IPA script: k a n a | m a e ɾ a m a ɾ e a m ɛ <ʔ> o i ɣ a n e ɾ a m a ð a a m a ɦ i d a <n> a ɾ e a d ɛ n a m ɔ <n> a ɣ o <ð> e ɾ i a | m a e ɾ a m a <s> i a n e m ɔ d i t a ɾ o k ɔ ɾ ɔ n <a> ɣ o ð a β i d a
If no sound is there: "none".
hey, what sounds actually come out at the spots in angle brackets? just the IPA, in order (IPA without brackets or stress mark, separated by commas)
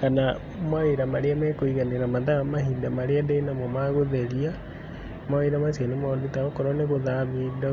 k, m, m, ð, s, e